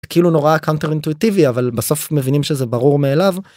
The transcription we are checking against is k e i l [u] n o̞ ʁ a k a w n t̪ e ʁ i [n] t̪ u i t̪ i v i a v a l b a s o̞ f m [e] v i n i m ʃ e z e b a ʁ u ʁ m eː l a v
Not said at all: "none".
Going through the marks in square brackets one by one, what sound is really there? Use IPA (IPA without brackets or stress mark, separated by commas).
u, n, e